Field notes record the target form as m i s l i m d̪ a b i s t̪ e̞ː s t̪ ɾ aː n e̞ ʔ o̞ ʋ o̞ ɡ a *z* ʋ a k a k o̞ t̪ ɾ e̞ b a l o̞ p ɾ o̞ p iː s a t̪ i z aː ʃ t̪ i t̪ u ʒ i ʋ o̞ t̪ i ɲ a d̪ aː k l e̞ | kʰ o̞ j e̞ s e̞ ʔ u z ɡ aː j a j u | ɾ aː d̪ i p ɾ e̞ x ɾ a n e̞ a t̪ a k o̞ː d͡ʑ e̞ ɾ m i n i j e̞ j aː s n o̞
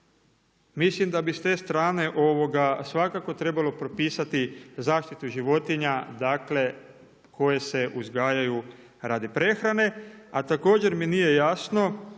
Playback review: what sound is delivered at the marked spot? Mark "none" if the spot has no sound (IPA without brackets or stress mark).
s